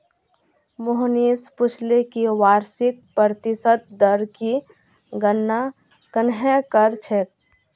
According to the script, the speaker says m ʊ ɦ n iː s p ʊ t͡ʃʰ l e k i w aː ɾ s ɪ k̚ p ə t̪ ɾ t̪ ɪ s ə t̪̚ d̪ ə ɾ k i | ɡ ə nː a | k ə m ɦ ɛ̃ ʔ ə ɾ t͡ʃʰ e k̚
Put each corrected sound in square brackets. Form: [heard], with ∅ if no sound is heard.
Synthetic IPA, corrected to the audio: m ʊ ɦ n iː s p ʊ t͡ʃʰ l e k i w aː ɾ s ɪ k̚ p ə [∅] ɾ t̪ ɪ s ə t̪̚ d̪ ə ɾ k i | ɡ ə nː a | k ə [n] ɦ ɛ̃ [k] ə ɾ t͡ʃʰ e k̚